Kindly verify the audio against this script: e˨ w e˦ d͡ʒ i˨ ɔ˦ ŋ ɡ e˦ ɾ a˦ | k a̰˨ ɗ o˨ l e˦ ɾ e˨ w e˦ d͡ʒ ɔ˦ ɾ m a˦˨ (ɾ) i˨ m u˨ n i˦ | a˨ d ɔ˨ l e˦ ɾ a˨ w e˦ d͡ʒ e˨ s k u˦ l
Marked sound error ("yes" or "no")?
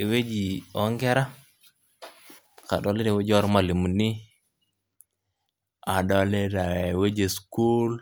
yes